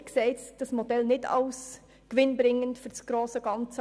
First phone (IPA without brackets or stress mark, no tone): k